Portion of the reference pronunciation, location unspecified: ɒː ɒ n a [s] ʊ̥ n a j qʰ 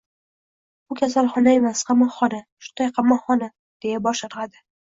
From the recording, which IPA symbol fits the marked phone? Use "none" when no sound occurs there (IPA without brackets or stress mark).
ʃ